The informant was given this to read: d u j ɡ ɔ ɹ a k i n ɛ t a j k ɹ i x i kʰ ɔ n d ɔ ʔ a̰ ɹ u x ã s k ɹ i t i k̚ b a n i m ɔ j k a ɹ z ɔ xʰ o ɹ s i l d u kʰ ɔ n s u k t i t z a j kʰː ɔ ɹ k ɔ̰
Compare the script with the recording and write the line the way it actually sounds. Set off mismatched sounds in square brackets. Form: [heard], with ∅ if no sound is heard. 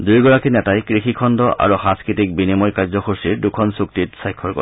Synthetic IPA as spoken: d u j ɡ ɔ ɹ a k i n ɛ t a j k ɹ i x i kʰ ɔ n d ɔ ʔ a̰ ɹ u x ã s k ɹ i t i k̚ b [i] n i m ɔ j k a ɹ z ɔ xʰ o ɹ s i [ɹ] d u kʰ ɔ n s u k t i t [s] a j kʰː ɔ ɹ k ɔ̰